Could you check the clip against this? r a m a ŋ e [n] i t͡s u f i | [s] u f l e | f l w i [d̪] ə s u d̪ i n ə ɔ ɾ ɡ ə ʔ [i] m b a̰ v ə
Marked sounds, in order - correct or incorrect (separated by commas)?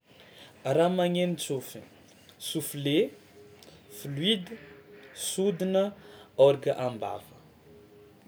correct, correct, correct, incorrect